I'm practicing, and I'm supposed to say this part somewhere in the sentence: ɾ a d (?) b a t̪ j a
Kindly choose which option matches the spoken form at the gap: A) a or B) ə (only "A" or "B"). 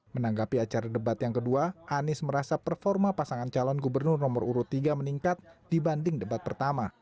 B